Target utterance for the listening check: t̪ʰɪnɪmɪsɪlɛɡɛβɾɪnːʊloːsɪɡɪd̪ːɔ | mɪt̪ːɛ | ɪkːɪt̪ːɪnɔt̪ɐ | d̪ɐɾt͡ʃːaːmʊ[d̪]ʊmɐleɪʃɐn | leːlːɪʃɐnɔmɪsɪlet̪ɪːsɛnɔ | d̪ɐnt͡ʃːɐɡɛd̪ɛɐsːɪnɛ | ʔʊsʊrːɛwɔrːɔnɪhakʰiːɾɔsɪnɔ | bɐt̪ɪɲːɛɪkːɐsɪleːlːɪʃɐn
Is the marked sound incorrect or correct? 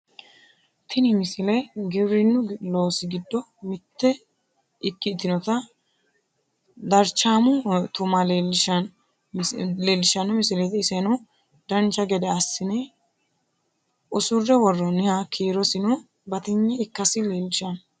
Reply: incorrect